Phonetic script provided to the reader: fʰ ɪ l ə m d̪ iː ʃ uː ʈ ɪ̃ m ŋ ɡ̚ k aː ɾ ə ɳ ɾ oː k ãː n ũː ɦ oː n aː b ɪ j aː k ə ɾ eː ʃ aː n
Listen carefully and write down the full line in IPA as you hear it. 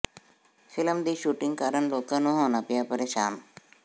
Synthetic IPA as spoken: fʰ ɪ l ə m d̪ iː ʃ uː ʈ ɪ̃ ŋ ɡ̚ k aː ɾ ə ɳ l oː k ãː n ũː ɦ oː n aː p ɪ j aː p ə ɾ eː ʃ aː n